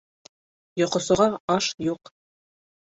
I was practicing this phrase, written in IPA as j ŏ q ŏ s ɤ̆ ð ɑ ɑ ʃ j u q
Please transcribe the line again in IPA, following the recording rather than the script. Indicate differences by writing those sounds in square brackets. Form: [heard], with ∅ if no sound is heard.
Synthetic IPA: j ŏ q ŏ s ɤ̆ [ʁ] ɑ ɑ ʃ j u q